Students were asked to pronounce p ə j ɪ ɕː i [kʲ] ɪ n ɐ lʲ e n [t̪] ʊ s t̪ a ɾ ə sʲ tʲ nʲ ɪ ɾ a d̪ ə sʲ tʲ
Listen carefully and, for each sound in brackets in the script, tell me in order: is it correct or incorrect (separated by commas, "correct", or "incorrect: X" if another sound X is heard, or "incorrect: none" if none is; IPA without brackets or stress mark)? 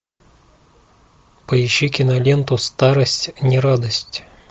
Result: correct, correct